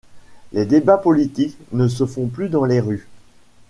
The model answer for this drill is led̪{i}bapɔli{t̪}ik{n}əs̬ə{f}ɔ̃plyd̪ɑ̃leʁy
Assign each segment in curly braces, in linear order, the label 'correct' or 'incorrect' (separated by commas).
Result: incorrect, correct, correct, correct